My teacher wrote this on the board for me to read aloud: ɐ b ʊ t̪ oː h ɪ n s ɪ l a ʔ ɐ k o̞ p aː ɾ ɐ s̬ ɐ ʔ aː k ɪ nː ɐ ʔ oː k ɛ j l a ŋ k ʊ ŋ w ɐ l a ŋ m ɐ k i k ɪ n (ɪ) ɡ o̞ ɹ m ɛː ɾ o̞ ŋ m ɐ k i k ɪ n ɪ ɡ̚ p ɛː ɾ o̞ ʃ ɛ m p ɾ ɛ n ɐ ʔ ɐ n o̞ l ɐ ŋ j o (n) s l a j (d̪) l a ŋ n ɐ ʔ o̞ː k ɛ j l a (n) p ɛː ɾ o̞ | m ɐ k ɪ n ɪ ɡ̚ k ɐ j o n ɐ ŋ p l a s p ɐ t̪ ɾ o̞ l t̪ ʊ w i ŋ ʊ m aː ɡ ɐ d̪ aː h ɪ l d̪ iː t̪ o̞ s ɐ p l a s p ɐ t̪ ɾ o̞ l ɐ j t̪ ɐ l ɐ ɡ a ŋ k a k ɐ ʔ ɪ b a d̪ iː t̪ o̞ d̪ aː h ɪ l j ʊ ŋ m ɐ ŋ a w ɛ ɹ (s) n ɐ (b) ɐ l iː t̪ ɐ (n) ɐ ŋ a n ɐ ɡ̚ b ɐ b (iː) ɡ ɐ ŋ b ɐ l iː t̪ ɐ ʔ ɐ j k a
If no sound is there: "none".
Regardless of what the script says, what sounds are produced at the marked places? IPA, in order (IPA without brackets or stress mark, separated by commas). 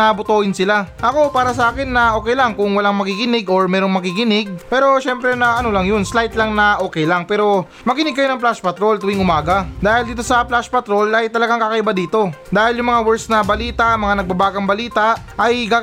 ɪ, n, t̪, ŋ, s, b, m, aː